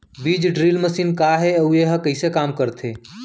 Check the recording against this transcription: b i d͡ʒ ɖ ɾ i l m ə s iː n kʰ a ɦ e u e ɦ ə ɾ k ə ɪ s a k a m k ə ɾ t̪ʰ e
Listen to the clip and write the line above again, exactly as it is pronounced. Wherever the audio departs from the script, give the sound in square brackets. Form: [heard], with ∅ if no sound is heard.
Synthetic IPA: b i d͡ʒ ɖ ɾ i l m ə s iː n [k] a ɦ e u e ɦ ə [∅] k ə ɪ s [e] k a m k ə ɾ t̪ʰ e